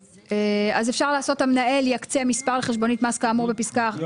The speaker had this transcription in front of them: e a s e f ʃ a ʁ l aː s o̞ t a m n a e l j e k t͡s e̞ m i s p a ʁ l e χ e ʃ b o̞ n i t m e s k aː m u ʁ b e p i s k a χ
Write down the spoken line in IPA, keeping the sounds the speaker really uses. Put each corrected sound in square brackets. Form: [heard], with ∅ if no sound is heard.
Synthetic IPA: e a [z] e f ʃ a ʁ l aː s o̞ t a m n a e l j [a] k t͡s e̞ m i s p a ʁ l e χ e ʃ b o̞ n i t m [a] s k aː m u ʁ b e p i s k a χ